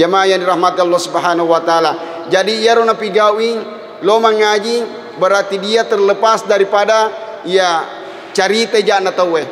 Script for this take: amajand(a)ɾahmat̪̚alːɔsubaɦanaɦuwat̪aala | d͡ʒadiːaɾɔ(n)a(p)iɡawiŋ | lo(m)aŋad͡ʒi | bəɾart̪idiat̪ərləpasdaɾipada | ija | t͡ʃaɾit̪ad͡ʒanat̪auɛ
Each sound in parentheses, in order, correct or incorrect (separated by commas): incorrect, correct, correct, correct